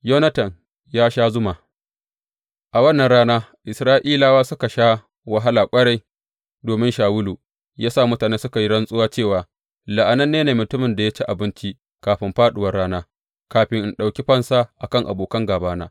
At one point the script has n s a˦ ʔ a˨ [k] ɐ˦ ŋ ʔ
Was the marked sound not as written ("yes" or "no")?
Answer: no